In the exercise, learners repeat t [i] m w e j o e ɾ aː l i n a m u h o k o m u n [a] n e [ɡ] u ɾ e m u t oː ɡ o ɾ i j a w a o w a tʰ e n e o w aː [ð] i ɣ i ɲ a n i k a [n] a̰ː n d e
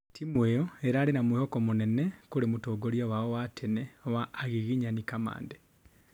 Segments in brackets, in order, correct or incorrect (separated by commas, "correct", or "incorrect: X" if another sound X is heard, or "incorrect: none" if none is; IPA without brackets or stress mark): correct, incorrect: e, incorrect: k, incorrect: ɣ, incorrect: m